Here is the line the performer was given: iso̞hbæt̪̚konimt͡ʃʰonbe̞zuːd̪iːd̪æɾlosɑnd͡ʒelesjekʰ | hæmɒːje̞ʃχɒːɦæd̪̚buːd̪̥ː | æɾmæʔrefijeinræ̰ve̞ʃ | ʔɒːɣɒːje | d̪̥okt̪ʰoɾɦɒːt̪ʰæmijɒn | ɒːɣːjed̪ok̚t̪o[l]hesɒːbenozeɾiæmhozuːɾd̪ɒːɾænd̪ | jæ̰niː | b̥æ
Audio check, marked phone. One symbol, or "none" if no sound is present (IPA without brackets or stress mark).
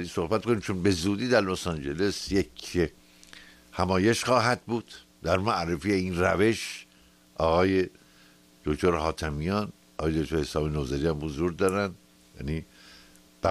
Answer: ɾ